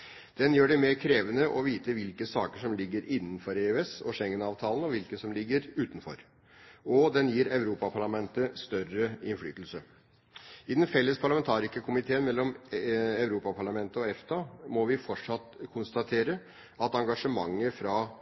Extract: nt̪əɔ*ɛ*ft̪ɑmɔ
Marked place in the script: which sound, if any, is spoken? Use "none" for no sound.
ɛ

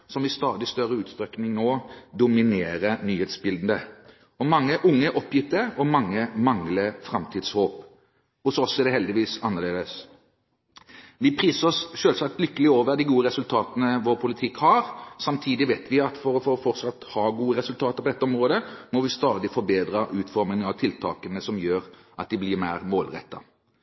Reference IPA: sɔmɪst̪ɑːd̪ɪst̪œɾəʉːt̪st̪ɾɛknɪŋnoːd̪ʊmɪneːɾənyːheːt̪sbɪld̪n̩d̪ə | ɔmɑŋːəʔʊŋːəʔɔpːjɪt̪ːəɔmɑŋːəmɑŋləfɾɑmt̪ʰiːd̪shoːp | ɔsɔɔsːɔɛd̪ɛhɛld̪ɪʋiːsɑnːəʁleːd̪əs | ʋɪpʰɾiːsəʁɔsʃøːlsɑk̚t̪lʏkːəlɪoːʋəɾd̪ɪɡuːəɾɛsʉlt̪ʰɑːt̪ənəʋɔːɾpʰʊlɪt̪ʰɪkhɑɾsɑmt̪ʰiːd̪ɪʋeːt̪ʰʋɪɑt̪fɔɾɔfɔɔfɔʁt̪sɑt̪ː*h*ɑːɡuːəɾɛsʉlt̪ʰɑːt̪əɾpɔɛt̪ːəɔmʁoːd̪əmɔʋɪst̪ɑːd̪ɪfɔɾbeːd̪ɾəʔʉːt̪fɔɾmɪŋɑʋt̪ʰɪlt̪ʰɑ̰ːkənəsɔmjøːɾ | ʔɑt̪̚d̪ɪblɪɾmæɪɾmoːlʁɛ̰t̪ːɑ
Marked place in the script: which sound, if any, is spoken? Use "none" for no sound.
h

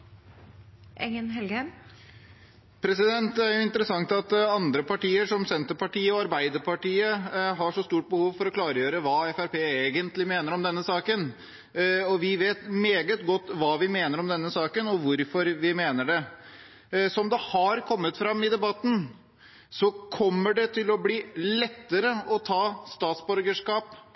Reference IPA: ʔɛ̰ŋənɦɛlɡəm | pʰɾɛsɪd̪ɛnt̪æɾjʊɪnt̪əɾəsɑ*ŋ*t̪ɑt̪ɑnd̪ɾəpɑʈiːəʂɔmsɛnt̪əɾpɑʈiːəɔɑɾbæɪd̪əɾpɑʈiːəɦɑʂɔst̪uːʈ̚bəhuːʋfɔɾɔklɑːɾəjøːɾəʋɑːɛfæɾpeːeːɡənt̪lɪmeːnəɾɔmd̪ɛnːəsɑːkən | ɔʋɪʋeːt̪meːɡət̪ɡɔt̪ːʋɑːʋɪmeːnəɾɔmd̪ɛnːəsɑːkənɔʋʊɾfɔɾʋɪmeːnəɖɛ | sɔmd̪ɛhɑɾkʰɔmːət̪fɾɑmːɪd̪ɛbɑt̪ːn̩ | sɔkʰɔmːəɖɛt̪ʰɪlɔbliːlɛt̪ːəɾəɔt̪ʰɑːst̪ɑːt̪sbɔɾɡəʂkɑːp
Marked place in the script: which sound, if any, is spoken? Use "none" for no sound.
ŋ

